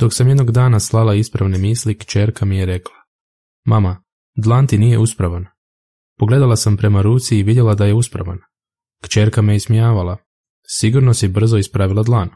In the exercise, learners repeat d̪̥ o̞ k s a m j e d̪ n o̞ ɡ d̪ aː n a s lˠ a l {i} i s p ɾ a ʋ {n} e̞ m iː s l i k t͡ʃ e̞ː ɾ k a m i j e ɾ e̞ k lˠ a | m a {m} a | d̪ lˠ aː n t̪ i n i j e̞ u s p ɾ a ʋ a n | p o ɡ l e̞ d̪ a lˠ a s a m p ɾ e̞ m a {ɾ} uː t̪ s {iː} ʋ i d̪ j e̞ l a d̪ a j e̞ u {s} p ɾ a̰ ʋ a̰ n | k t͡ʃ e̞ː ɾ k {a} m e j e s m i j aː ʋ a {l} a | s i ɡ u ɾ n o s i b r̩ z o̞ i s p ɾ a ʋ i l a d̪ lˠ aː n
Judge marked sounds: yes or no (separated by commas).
no, yes, yes, yes, yes, yes, yes, yes